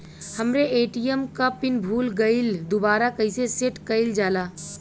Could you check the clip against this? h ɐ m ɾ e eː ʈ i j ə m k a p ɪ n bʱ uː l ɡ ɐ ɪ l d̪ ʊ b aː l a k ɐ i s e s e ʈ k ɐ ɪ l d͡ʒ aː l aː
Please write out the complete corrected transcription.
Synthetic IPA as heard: h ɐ m ɾ e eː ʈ i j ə m k a p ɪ n bʱ uː l ɡ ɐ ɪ l d̪ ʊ b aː ɾ a k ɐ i s e s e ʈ k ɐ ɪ l d͡ʒ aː l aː